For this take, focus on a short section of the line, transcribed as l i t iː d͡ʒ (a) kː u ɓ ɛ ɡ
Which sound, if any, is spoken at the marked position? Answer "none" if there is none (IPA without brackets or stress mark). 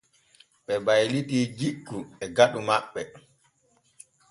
i